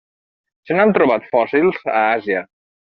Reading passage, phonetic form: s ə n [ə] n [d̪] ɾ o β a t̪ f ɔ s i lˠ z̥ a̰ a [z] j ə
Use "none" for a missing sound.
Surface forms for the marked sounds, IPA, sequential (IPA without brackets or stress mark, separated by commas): a, t̪, z